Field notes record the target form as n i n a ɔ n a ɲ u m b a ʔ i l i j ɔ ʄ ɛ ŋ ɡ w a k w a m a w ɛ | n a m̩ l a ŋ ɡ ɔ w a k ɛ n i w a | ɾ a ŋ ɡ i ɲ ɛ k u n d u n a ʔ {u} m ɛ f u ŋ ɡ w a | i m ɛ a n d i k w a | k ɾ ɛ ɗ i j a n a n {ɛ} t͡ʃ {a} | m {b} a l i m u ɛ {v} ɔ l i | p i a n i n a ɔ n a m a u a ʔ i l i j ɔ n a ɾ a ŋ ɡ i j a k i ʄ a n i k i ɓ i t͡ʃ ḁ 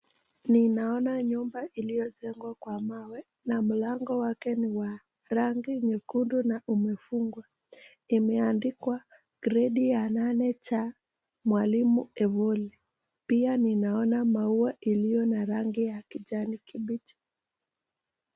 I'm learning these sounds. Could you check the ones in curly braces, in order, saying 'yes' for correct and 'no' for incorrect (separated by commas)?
yes, yes, yes, no, yes